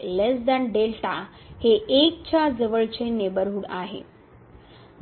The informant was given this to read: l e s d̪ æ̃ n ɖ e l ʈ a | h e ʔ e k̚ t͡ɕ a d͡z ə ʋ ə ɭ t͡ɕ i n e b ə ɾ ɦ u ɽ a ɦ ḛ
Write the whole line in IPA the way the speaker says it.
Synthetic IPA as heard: l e s d̪ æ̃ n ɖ e l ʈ a | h e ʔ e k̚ t͡ɕ a d͡z ə ʋ ə ɭ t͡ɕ e n e b ə ɾ ɦ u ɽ a ɦ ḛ